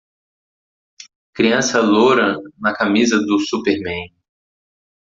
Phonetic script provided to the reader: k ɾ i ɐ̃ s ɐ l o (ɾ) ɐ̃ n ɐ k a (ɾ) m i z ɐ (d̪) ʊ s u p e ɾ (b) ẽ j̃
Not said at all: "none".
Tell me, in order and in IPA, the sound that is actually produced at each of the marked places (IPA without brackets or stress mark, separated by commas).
ɾ, none, d̪, m